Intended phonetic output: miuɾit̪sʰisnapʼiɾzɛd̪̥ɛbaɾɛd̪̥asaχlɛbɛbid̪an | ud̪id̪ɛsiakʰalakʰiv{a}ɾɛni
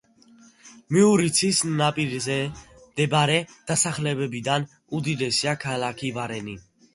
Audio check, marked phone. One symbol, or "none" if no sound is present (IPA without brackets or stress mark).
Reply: a